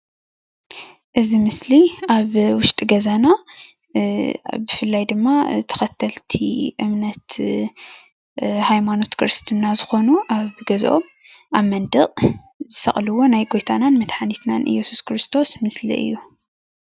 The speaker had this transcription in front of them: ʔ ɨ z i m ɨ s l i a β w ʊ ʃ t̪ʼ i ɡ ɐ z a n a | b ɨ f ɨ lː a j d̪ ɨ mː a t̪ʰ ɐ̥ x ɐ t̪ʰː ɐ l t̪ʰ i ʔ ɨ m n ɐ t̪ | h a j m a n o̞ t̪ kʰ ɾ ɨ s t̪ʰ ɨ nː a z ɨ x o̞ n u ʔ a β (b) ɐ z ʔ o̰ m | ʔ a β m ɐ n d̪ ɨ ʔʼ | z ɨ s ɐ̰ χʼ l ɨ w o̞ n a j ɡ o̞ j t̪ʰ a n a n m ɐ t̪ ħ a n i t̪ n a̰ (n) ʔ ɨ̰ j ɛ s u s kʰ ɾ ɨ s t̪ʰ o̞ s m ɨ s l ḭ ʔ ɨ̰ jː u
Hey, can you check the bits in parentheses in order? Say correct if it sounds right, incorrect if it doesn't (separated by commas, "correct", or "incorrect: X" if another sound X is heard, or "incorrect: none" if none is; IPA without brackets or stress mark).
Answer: incorrect: ɡ, correct